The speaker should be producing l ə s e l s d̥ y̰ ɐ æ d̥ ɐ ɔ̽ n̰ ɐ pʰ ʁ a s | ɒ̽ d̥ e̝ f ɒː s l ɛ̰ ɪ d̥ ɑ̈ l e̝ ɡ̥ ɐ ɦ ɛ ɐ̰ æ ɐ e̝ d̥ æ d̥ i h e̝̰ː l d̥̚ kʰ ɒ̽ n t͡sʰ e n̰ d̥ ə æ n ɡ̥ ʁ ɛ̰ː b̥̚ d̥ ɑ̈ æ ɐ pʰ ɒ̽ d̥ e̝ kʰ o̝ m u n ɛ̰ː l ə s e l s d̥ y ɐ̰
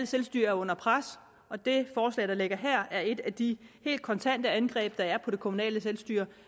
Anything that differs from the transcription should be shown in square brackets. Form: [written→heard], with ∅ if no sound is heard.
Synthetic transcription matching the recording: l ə s e l s d̥ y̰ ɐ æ [d̥→∅] ɐ ɔ̽ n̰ ɐ pʰ ʁ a s | ɒ̽ d̥ e̝ f ɒː s l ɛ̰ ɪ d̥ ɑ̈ l e̝ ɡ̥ ɐ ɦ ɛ ɐ̰ æ ɐ e̝ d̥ æ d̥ i h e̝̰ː l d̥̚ kʰ ɒ̽ n t͡sʰ [e→æ] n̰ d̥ ə æ n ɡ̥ ʁ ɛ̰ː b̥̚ d̥ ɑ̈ æ ɐ pʰ ɒ̽ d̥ e̝ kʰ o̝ m u n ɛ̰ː l ə s e l s d̥ y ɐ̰